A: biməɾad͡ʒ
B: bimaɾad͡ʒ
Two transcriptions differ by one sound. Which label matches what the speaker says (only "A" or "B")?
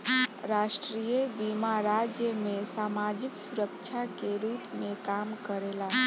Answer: B